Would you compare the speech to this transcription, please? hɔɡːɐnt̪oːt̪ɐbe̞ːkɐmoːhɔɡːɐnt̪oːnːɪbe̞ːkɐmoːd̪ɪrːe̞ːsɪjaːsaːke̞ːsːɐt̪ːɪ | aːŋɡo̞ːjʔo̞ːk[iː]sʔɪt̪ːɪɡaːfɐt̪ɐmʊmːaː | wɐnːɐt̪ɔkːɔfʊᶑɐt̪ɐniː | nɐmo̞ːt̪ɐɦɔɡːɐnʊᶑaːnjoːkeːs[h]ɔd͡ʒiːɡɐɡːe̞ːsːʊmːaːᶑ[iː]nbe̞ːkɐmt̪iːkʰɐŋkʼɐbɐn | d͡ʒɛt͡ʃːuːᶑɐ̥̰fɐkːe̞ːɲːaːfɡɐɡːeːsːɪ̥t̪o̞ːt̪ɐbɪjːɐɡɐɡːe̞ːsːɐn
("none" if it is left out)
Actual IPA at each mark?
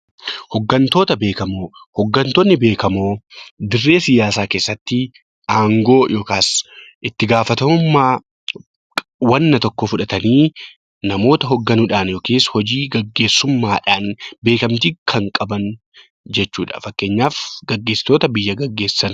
aː, h, aː

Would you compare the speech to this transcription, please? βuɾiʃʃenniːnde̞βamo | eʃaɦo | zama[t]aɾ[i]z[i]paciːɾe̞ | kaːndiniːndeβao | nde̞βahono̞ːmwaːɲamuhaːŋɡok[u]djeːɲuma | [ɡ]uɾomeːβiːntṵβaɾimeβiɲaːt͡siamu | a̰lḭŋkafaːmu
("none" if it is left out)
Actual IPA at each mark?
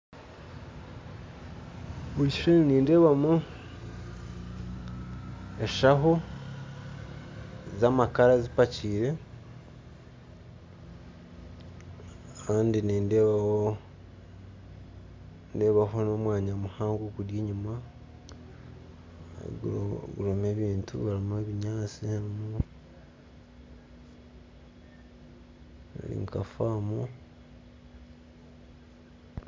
k, a, i, u, ɡ

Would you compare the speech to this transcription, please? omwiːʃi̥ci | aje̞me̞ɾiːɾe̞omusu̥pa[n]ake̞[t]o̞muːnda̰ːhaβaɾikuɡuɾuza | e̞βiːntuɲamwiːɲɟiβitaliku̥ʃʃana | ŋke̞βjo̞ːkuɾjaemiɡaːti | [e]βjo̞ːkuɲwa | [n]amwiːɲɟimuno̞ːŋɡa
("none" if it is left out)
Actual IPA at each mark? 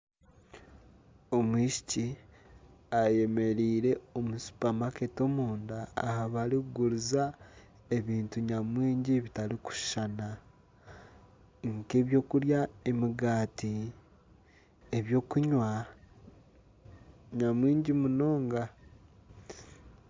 m, t, e, ɲ

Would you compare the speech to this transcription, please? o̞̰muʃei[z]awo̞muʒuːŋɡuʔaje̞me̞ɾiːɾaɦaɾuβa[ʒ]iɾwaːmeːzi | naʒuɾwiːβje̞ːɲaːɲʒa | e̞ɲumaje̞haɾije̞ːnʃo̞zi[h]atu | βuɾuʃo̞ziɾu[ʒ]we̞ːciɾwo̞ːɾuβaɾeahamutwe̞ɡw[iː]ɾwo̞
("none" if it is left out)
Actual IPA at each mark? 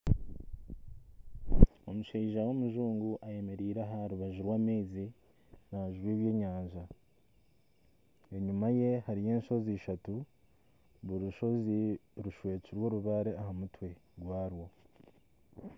ʒ, ʒ, ʃ, ʃ, aː

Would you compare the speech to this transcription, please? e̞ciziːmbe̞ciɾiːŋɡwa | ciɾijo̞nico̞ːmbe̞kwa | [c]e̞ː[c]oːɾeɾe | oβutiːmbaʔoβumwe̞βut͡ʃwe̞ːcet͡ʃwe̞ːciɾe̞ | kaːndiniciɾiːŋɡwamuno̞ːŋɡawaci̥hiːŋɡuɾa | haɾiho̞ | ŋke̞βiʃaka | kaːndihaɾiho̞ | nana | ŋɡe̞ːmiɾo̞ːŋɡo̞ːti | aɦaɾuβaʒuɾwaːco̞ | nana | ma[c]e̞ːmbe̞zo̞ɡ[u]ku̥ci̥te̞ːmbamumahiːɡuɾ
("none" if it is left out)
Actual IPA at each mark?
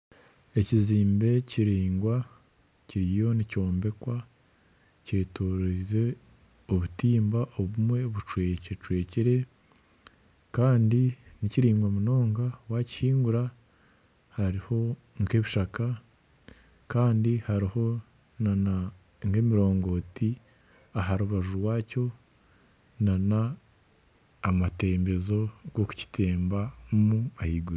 c, t, t, o

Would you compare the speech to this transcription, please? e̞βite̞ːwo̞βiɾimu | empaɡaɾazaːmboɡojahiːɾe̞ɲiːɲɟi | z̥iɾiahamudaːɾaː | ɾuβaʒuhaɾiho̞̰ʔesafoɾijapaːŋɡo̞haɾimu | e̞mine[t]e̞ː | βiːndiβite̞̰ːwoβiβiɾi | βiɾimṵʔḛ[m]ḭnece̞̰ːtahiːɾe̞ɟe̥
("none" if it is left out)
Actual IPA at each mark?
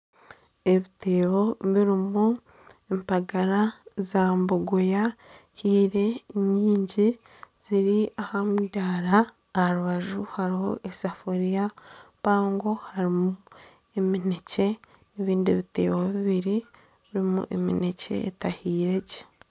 c, m

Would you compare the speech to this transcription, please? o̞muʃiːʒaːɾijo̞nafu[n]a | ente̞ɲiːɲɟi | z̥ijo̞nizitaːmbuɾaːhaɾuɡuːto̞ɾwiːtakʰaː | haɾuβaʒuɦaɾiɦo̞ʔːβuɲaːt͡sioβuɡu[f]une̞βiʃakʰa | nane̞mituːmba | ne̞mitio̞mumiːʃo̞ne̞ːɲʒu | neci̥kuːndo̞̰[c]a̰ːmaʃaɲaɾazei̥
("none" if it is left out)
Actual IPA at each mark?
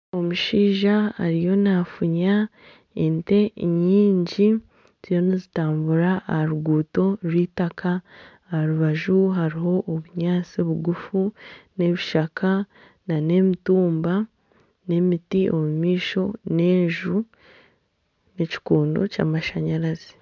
ɲ, f, c

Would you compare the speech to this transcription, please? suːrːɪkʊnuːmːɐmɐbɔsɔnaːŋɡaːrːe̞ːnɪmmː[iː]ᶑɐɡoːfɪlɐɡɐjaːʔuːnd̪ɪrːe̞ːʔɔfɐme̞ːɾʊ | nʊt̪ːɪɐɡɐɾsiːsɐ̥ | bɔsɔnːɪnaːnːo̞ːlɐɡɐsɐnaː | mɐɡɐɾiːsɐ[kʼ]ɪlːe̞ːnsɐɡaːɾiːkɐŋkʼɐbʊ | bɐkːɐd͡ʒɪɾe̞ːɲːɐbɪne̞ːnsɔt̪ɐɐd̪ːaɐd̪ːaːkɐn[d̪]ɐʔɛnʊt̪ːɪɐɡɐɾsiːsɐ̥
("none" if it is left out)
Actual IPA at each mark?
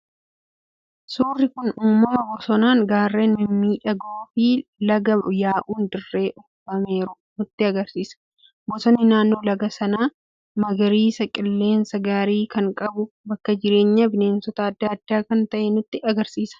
iː, kʼ, t̪

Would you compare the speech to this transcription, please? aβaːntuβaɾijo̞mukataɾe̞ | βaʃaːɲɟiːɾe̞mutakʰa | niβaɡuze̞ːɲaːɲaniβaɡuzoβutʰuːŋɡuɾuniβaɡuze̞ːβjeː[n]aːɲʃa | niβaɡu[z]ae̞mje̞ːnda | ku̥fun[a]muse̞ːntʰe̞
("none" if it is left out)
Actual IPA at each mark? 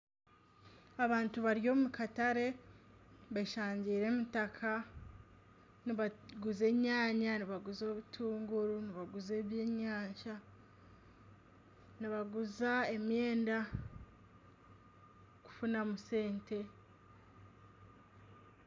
ɲ, z, a

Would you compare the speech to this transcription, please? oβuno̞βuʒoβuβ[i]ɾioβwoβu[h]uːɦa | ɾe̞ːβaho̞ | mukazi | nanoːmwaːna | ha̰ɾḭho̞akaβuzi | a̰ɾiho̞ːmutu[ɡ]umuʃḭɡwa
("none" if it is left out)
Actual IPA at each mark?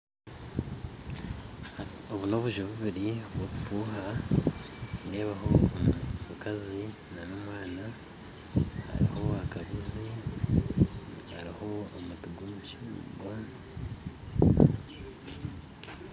i, f, ɡ

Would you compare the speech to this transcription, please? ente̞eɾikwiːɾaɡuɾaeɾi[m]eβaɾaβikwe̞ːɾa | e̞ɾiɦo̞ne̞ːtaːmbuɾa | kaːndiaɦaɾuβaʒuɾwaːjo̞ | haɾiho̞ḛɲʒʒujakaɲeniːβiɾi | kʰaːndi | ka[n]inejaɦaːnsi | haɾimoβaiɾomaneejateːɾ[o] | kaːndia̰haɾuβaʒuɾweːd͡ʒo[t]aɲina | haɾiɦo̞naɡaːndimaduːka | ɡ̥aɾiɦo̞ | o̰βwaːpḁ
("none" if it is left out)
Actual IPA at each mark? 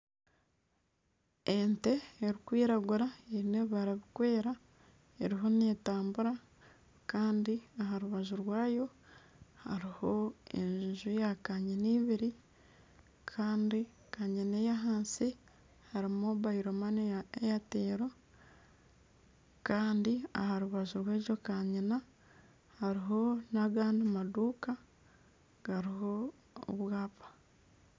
n, ɲ, o, k

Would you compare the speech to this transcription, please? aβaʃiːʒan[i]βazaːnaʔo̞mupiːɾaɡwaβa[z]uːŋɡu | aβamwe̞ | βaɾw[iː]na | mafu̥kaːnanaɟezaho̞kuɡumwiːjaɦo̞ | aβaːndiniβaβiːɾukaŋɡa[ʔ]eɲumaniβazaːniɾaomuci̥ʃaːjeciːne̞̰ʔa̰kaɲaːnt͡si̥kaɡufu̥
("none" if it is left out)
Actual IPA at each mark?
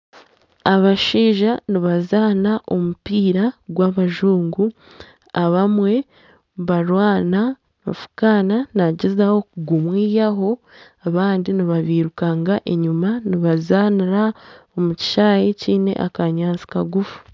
i, ʒ, aː, ʔ

